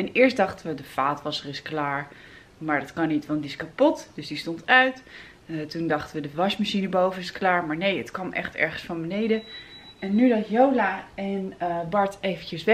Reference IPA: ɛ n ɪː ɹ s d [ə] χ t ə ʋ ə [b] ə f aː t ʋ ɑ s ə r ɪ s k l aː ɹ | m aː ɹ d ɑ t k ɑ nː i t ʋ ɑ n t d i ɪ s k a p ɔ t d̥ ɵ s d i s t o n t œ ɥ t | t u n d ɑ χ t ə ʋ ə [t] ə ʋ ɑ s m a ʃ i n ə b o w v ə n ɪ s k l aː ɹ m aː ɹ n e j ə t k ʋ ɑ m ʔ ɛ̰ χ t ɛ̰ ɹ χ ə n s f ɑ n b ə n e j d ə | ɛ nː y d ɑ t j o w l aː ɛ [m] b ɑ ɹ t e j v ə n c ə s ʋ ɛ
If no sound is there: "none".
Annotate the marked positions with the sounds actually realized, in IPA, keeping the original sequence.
ɑ, d, d, n

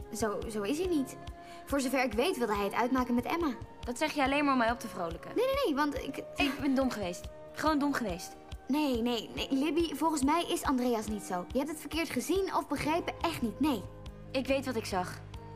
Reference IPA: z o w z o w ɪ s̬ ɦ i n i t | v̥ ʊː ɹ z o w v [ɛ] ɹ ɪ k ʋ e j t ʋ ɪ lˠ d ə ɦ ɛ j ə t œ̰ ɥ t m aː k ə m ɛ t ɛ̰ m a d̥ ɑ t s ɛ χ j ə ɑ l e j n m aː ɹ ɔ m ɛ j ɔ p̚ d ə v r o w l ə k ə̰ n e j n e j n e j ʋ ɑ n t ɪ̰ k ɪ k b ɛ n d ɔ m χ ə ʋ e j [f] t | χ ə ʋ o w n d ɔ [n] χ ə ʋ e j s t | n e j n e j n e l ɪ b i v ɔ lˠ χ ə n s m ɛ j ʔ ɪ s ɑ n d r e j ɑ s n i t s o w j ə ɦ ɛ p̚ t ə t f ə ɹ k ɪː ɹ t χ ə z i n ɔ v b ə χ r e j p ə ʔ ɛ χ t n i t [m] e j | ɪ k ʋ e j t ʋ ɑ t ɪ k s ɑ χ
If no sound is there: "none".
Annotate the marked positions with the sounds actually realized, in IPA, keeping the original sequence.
ɛ, s, m, n

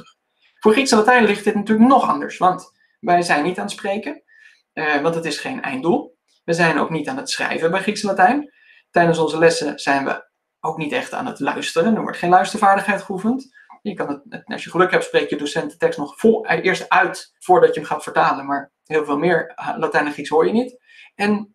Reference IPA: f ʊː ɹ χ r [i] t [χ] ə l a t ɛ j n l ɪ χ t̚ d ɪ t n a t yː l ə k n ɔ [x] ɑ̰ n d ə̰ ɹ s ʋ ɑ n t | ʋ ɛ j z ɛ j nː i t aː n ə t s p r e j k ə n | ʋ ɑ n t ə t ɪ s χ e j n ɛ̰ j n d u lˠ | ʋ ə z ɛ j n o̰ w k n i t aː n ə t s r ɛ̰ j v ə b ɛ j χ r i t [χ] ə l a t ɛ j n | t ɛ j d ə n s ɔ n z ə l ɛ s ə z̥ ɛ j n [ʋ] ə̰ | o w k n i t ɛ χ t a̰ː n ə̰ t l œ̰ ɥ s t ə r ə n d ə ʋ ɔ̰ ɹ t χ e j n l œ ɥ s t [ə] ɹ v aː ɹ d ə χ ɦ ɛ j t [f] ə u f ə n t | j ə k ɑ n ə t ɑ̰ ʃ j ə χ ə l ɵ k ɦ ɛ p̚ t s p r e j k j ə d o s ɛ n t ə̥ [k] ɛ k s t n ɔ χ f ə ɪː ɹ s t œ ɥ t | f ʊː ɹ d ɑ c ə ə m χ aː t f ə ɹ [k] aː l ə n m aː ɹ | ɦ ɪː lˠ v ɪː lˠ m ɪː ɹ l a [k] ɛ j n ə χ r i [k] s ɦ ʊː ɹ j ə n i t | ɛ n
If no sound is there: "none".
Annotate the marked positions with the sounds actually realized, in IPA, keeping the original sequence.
i, s, χ, s, ʋ, ə, χ, t, t, t, k

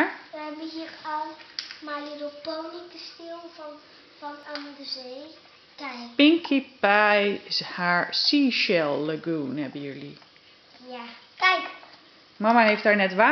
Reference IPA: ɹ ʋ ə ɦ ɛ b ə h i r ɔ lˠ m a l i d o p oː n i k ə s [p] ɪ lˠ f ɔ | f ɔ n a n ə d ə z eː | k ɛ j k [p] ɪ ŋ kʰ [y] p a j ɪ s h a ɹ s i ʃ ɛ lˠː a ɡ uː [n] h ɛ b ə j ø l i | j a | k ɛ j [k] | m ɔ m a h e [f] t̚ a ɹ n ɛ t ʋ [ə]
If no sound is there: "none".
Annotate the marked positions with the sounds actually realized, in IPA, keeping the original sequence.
t, p, i, n, k, f, a

